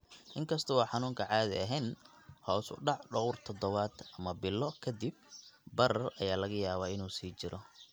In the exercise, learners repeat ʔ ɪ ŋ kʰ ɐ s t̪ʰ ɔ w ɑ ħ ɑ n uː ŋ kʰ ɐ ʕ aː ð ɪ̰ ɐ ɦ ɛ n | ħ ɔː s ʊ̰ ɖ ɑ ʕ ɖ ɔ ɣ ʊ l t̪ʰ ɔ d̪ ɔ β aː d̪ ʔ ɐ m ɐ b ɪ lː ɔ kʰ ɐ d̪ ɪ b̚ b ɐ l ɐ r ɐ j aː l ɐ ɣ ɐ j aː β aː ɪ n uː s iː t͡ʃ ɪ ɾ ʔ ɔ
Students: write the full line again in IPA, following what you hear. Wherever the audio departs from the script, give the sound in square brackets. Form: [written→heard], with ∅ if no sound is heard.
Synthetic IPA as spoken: ʔ ɪ ŋ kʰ ɐ s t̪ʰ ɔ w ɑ ħ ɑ n uː ŋ kʰ ɐ ʕ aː ð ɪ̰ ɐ ɦ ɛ n | [ħ→h] ɔː s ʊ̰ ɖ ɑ ʕ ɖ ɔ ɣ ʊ [l→r] t̪ʰ ɔ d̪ ɔ β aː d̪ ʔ ɐ m ɐ b ɪ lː ɔ kʰ ɐ d̪ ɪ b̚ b ɐ [l→ɾ] ɐ r ɐ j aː l ɐ ɣ ɐ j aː β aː ɪ n uː s iː t͡ʃ ɪ ɾ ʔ ɔ